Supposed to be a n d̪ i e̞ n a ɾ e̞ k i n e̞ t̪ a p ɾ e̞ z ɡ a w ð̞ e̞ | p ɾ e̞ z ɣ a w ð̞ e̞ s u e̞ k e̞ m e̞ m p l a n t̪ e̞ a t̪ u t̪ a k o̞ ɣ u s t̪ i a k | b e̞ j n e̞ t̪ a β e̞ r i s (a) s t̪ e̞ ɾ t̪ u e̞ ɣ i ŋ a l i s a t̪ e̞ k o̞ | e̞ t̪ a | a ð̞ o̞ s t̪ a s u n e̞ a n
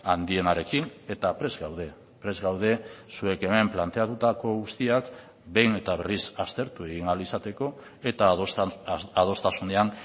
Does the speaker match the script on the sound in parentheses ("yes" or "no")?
yes